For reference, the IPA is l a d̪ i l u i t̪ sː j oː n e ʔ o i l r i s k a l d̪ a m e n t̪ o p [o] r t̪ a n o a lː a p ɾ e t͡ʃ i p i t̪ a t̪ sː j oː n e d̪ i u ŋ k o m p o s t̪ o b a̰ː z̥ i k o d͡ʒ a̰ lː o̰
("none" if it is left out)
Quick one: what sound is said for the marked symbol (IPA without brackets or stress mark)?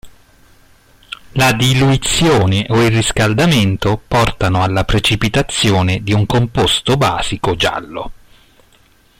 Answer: ɔ